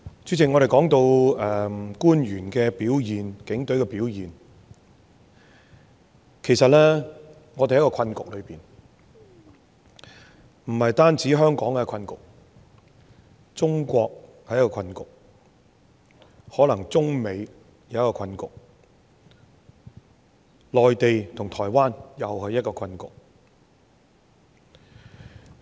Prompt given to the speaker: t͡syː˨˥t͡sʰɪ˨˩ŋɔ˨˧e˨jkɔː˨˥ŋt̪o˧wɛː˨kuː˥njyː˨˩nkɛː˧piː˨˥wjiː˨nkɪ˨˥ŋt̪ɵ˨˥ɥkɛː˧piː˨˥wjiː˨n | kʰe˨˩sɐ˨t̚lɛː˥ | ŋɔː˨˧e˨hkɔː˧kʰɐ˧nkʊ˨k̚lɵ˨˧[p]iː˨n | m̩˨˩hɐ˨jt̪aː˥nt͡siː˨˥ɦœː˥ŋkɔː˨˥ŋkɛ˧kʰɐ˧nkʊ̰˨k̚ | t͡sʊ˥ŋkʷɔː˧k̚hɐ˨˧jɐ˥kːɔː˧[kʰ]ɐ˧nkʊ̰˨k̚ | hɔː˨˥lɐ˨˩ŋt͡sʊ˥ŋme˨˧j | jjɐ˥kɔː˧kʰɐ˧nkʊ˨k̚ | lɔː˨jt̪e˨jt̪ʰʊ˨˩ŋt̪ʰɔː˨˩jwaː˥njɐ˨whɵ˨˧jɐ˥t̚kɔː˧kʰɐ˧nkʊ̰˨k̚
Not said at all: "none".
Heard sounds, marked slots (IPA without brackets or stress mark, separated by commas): p, kʰ